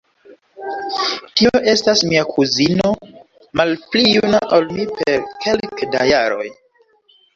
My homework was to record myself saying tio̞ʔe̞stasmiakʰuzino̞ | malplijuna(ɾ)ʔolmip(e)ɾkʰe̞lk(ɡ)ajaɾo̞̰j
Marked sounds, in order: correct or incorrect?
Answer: incorrect: none, correct, incorrect: d

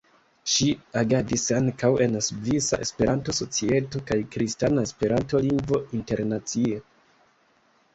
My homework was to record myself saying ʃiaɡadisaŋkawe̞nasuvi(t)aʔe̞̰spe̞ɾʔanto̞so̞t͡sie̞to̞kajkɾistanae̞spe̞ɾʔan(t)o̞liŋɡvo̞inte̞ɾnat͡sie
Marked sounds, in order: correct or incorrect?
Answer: incorrect: s, correct

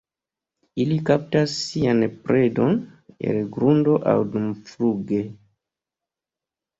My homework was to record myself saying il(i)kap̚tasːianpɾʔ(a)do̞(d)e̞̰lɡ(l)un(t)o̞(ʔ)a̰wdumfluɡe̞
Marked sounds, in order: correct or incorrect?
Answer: correct, incorrect: e, incorrect: n, incorrect: ɾ, incorrect: d, correct

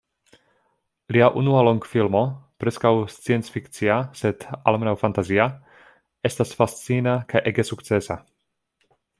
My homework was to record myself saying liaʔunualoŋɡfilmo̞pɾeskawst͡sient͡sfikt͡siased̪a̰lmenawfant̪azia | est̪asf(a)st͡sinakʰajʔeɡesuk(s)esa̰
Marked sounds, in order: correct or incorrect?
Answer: correct, incorrect: t͡s

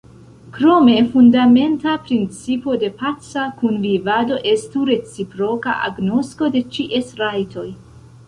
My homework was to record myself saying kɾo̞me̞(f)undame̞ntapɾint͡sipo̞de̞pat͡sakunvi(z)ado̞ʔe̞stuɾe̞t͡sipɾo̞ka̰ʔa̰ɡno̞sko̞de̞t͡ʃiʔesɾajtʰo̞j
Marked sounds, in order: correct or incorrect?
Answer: correct, incorrect: v

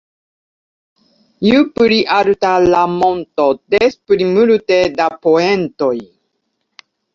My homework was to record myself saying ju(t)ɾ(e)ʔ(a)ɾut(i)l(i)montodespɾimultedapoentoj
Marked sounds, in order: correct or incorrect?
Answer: incorrect: p, incorrect: i, correct, incorrect: a, incorrect: a

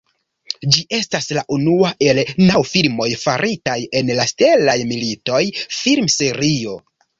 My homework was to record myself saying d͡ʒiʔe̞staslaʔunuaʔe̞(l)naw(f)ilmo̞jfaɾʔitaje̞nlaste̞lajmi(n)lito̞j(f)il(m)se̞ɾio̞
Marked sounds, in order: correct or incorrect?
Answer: correct, correct, incorrect: none, correct, correct

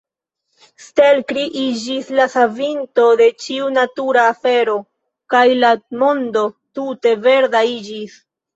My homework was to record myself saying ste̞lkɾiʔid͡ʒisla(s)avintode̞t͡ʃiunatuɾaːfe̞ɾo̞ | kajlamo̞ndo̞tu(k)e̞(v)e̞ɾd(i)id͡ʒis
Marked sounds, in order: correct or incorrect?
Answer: correct, incorrect: t, correct, incorrect: a

